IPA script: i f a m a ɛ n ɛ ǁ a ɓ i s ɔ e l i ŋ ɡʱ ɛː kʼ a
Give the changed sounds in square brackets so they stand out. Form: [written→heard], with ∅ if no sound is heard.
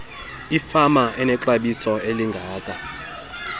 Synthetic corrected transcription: i f a m a ɛ n ɛ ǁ a ɓ i s ɔ e l i ŋ ɡʱ [ɛː→aː] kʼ a